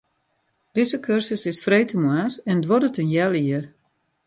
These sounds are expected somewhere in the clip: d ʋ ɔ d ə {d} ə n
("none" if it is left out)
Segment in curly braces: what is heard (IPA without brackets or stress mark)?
t